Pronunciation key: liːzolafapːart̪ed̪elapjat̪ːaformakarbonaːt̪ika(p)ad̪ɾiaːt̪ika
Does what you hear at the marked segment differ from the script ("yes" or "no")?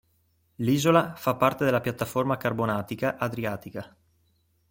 yes